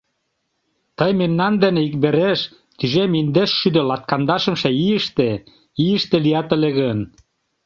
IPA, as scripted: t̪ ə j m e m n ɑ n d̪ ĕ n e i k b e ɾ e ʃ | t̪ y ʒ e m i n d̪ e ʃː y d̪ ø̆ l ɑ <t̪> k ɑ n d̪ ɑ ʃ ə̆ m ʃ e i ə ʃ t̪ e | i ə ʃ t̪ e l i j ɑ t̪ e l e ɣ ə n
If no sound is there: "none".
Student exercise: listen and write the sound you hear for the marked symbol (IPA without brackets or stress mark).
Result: t̪